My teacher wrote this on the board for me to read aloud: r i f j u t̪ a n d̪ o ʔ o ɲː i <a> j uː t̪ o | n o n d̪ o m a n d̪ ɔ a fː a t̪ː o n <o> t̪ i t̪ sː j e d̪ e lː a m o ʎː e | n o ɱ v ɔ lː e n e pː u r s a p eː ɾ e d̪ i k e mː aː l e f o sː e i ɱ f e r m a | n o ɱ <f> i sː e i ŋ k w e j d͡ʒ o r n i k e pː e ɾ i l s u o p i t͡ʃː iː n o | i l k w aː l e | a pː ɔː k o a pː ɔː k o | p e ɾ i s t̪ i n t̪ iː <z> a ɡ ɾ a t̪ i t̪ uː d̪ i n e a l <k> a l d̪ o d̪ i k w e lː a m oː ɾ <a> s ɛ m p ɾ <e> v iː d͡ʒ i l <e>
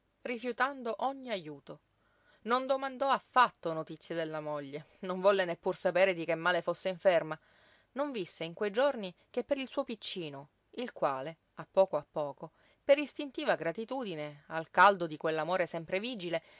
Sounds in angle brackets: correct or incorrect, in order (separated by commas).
correct, correct, incorrect, incorrect, correct, incorrect, correct, correct